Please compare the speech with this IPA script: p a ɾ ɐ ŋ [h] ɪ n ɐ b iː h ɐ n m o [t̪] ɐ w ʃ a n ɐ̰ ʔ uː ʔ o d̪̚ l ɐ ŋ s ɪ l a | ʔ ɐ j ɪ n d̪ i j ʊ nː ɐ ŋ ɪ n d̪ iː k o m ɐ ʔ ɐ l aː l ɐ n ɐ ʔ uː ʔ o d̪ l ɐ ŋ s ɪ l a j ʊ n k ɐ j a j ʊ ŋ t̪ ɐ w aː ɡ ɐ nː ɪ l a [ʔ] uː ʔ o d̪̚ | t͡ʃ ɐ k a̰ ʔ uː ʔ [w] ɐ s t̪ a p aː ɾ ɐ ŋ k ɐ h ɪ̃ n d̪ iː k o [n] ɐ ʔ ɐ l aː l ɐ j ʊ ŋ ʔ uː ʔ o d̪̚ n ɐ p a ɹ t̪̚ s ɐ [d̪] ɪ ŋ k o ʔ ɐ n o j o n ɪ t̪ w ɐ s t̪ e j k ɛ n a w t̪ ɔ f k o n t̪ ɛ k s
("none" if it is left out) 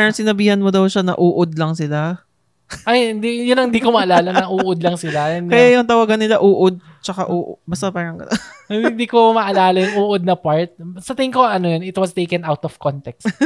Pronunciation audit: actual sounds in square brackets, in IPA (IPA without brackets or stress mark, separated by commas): s, d̪, ʔ, b, m, t̪